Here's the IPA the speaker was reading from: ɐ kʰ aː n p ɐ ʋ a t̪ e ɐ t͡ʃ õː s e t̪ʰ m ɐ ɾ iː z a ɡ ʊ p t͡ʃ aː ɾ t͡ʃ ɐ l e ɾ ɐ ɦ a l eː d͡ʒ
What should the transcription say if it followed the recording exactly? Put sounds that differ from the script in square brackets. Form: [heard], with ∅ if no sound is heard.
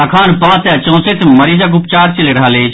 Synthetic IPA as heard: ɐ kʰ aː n p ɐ ʋ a t̪ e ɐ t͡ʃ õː s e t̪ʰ m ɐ ɾ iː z a ɡ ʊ p t͡ʃ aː ɾ t͡ʃ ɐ l e ɾ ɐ ɦ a l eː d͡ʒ